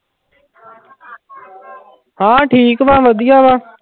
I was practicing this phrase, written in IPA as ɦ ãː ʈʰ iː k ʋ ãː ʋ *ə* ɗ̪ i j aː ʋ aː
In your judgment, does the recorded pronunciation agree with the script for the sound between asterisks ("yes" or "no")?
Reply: yes